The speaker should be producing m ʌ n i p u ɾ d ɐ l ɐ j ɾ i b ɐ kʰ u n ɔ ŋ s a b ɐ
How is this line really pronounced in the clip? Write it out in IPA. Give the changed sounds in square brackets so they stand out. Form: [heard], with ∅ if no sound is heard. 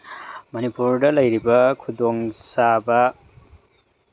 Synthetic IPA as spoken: m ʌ n i p u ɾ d ɐ l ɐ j ɾ i b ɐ kʰ u [d] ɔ ŋ s a b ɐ